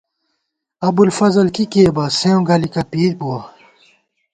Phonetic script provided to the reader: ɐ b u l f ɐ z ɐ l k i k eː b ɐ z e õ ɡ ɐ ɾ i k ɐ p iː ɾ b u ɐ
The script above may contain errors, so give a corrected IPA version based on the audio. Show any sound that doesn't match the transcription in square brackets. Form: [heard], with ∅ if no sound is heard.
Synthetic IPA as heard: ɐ b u l f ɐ z ɐ l k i k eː b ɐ [s] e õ ɡ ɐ [l] i k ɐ p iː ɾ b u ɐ